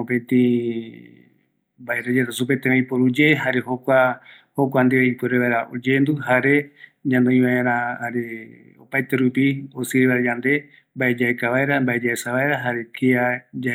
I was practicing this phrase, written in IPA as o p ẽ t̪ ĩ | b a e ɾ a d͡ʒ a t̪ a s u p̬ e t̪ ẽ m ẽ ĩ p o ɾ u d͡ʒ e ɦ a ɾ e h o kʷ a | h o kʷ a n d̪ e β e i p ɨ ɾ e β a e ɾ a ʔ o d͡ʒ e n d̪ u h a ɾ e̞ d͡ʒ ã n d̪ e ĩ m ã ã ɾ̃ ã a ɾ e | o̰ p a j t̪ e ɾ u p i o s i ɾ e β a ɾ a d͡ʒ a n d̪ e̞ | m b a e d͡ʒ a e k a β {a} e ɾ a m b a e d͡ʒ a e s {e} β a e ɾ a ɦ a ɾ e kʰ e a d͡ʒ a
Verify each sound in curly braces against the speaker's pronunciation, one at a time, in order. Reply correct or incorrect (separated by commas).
correct, incorrect